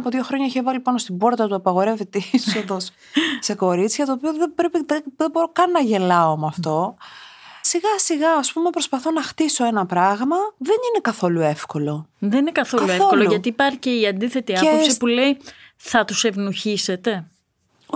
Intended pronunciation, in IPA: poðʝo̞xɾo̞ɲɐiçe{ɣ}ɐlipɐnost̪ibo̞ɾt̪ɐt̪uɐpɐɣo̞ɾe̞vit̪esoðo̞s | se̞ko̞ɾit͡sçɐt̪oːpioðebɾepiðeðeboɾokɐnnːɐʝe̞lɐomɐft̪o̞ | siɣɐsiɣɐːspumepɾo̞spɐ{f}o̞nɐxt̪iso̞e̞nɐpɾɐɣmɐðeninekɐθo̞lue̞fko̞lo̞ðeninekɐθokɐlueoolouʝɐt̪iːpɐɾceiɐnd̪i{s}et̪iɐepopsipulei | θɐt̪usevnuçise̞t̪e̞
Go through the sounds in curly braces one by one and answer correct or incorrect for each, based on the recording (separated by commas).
incorrect, incorrect, incorrect